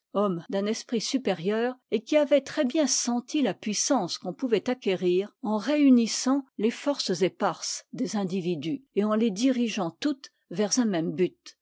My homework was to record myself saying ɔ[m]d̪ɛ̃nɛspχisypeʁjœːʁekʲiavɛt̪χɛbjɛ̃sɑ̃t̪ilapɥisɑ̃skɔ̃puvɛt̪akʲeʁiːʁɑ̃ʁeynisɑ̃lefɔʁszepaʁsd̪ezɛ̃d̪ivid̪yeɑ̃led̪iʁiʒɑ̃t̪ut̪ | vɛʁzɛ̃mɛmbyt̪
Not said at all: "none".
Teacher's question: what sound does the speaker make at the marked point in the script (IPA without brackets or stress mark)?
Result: m